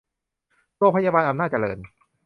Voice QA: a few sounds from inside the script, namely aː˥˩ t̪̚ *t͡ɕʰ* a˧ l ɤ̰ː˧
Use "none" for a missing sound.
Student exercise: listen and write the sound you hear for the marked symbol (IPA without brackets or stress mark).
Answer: t͡ɕ